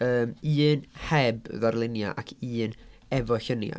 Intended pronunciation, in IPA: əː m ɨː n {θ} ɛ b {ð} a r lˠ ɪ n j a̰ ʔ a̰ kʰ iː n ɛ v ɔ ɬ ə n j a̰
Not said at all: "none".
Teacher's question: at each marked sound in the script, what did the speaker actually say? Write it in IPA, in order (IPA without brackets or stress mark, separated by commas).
h, ð